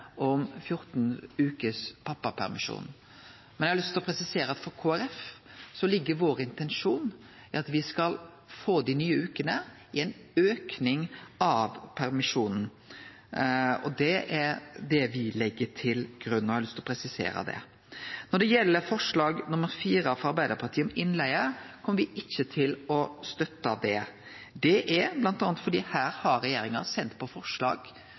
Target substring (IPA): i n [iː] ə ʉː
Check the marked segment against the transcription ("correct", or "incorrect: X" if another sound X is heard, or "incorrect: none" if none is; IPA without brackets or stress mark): incorrect: yː